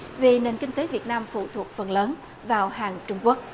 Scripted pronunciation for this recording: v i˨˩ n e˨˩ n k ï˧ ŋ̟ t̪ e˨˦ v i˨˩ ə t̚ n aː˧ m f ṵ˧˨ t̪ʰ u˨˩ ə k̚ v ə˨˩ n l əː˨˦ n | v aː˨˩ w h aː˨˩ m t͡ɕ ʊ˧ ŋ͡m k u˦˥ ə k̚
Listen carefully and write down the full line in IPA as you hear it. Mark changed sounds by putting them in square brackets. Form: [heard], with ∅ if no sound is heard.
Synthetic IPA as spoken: v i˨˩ n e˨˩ n k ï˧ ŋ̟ t̪ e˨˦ v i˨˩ ə t̚ n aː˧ m f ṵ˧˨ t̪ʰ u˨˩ ə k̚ [f] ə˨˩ n l əː˨˦ n | v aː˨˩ w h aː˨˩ [ŋ] t͡ɕ ʊ˧ ŋ͡m k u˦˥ ə k̚

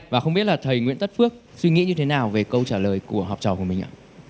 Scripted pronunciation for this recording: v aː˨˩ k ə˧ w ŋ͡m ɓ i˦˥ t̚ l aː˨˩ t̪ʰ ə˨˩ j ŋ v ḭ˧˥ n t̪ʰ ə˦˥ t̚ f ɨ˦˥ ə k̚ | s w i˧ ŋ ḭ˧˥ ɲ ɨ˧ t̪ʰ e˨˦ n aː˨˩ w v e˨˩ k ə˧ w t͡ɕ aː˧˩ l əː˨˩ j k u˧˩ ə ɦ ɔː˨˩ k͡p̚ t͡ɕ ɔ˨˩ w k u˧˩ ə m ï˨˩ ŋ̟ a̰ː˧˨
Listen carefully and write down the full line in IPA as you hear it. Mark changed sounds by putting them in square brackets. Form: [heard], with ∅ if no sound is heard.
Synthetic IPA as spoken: v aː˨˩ [x] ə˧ w ŋ͡m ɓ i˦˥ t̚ l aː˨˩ t̪ʰ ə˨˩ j ŋ [w] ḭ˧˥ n [t̪] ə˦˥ t̚ f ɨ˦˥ ə k̚ | s w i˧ ŋ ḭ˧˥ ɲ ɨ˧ t̪ʰ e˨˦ n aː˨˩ w v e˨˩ k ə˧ w t͡ɕ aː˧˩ l əː˨˩ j k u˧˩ ə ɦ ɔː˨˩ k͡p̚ t͡ɕ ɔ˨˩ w k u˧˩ ə m ï˨˩ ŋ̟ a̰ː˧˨

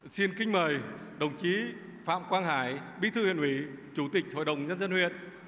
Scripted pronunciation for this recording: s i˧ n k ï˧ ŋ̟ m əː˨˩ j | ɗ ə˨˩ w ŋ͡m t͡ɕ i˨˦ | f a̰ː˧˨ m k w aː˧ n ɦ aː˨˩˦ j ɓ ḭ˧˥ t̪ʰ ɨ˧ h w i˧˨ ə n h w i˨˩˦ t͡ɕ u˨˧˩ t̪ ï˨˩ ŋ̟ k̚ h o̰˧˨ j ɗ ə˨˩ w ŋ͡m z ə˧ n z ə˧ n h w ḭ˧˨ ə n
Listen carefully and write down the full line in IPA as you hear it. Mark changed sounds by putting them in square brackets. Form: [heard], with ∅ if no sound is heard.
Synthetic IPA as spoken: s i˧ n k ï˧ ŋ̟ m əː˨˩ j | ɗ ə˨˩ w ŋ͡m t͡ɕ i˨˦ | f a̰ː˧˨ m k w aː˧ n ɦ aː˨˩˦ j ɓ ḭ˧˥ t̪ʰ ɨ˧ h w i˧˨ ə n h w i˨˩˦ t͡ɕ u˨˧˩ t̪ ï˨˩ [∅] k̚ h o̰˧˨ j ɗ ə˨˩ w ŋ͡m z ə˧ n z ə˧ n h w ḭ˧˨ ə n

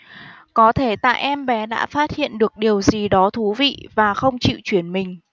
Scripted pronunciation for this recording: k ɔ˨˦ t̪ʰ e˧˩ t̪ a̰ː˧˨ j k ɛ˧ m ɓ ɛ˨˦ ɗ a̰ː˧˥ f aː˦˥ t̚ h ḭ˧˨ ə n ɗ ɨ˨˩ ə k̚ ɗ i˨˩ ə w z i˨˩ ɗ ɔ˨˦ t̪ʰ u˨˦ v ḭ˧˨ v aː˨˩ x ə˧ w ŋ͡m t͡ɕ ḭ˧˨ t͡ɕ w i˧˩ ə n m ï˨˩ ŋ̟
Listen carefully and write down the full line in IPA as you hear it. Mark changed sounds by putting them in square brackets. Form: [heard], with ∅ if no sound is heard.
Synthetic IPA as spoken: k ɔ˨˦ t̪ʰ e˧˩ t̪ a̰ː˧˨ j [ʔ] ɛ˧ m ɓ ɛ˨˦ ɗ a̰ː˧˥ f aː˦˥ t̚ h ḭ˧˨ ə n ɗ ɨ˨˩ ə k̚ ɗ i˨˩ ə w z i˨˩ ɗ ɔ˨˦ t̪ʰ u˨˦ v ḭ˧˨ v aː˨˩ x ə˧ w ŋ͡m t͡ɕ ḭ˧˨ t͡ɕ w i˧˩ ə n m ï˨˩ ŋ̟

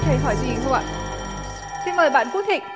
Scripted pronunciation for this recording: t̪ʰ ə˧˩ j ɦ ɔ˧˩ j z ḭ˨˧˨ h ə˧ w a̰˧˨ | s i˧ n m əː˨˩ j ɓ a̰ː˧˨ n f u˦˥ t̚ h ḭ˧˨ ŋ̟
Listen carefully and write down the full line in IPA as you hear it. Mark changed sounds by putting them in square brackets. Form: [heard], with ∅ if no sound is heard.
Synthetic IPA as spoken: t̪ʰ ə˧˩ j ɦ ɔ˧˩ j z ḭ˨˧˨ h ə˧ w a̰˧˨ | s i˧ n m əː˨˩ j ɓ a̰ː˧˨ n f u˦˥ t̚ h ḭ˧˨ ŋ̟

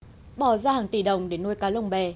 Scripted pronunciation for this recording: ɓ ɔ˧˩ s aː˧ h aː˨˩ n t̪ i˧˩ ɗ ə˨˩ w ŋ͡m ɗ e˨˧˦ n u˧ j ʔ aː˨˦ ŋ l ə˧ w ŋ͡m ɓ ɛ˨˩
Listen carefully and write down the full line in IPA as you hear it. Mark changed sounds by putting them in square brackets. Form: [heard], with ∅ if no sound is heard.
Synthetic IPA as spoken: ɓ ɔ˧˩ [z] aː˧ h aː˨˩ [ŋ] t̪ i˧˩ ɗ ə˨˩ w ŋ͡m ɗ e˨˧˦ n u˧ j [k] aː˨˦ [∅] l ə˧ w ŋ͡m ɓ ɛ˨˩

